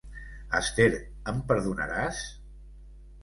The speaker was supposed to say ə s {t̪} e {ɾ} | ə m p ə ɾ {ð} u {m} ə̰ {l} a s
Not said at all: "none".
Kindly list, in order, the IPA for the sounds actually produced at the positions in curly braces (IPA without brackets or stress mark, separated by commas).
t̪, ɾ, ð, n, ɾ